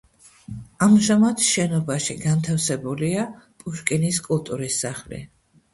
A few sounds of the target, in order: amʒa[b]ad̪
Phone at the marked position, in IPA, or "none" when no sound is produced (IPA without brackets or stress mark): m